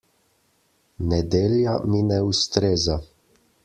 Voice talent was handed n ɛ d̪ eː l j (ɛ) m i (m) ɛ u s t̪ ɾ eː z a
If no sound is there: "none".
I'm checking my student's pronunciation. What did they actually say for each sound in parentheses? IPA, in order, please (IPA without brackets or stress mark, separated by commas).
a, n